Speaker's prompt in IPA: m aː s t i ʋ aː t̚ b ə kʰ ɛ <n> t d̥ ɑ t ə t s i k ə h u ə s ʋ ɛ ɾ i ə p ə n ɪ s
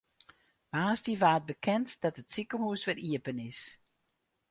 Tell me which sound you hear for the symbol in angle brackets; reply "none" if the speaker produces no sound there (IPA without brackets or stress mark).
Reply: n